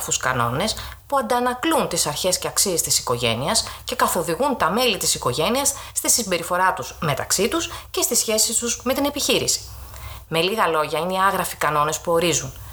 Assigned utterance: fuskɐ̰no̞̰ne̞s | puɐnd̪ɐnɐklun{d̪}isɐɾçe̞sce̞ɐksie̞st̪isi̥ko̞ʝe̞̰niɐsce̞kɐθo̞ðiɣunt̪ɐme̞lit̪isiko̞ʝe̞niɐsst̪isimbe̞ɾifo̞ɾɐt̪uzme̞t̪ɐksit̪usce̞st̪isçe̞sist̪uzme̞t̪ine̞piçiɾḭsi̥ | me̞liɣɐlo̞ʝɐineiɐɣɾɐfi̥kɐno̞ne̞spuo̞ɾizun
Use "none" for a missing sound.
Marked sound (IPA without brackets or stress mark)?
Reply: t̪